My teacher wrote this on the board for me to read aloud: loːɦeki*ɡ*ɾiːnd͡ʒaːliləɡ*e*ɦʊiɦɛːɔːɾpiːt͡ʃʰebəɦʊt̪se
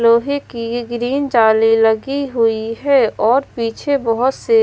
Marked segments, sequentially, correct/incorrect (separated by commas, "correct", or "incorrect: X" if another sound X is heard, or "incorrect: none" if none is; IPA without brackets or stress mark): correct, incorrect: i